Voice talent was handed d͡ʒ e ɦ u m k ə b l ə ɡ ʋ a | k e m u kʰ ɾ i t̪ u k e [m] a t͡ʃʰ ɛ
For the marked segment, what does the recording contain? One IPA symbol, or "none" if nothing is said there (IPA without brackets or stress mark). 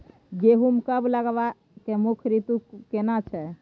n